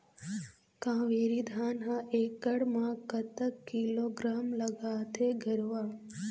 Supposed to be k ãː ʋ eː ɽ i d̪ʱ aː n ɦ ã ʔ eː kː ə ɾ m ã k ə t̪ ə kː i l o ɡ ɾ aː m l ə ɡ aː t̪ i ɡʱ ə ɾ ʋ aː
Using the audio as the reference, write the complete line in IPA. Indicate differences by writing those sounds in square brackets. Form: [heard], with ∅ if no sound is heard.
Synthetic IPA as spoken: k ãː ʋ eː [ɾ] i d̪ʱ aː n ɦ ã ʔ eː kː ə [ɽ] m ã k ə t̪ ə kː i l o ɡ ɾ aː m l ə ɡ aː t̪ [e] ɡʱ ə ɾ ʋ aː